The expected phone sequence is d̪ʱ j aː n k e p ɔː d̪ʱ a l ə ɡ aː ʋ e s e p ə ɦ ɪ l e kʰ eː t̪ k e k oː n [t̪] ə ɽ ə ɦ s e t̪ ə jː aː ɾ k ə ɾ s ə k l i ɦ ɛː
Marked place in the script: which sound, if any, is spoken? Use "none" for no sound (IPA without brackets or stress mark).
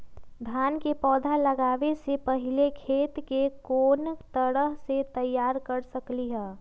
t̪